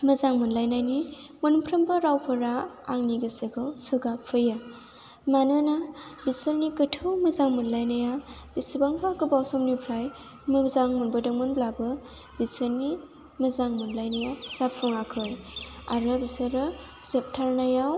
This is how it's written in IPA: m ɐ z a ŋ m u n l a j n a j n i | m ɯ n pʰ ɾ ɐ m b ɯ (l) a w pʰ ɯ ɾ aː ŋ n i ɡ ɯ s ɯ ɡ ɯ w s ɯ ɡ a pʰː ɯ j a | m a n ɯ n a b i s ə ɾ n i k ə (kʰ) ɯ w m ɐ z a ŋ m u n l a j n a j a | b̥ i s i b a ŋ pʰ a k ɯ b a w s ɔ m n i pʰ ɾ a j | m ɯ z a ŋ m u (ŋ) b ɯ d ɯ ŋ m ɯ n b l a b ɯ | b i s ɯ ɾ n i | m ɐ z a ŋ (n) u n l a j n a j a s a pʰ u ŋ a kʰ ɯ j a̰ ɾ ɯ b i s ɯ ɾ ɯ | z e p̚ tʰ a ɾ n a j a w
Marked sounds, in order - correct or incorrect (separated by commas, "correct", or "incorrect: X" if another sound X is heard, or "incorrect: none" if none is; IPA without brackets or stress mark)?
incorrect: ɾ, incorrect: tʰ, incorrect: n, incorrect: m